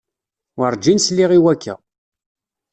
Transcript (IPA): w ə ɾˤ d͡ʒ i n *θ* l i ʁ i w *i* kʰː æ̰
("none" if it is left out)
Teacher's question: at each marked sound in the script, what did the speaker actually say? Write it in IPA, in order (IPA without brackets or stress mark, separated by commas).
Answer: s, æ